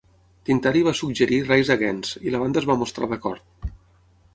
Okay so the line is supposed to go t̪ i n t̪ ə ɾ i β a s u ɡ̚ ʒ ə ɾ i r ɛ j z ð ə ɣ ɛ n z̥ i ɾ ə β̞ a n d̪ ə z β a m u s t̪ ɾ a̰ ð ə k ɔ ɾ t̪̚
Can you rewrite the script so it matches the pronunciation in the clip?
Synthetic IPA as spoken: t̪ i n t̪ a ɾ i β a s u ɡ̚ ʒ ə ɾ i r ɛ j z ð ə ɣ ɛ n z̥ i l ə β̞ a n d̪ ə z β a m u s t̪ ɾ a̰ ð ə k ɔ ɾ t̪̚

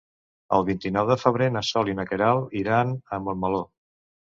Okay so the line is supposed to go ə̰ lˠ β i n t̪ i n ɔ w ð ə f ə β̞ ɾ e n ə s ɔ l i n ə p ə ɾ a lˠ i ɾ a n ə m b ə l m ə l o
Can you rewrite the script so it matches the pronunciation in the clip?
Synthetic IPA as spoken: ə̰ lˠ β i n t̪ i n ɔ w ð ə f ə β̞ ɾ e n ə s ɔ l i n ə k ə ɾ a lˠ i ɾ a n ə m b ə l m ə l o

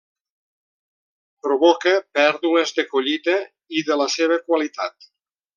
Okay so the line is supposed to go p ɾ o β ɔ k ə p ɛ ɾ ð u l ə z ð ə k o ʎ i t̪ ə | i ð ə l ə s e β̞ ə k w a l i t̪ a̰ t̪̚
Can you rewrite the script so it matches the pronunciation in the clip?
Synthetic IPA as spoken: p ɾ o β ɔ k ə p ɛ ɾ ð u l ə z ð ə k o ʎ i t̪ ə | i ð ə l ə s e β̞ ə k w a l i t̪ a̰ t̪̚

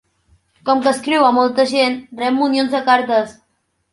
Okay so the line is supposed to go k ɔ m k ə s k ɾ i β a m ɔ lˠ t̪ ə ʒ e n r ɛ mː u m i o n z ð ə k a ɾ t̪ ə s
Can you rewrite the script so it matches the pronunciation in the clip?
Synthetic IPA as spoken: k ɔ m k ə s k ɾ i w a m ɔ lˠ t̪ ə ʒ e n r ɛ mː u n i o n z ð ə k a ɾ t̪ ə s

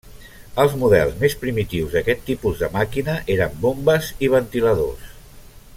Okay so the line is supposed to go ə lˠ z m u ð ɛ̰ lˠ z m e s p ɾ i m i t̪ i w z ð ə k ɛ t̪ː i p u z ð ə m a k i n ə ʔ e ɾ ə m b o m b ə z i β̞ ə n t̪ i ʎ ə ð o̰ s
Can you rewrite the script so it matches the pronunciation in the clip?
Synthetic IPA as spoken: ə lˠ z m u ð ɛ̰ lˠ z m e s p ɾ i m i t̪ i w z ð ə k ɛ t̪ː i p u z ð ə m a k i n ə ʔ e ɾ ə m b o m b ə z i β̞ ə n t̪ i l ə ð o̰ s

